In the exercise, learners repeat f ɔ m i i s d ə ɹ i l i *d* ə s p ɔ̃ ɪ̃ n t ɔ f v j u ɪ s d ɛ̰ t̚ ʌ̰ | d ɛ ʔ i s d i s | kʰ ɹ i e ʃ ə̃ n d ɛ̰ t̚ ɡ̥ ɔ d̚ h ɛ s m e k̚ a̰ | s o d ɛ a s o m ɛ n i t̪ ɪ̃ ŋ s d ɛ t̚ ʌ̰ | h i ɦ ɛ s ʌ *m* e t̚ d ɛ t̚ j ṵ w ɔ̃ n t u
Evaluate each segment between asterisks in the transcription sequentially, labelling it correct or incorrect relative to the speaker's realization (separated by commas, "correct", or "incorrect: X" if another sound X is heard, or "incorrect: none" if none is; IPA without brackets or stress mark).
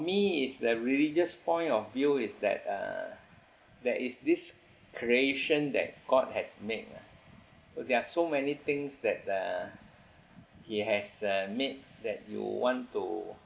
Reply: incorrect: d͡ʒ, correct